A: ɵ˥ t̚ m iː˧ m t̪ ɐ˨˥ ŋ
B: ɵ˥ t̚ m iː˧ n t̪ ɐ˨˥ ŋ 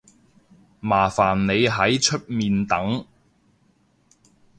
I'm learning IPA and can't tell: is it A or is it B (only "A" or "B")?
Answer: B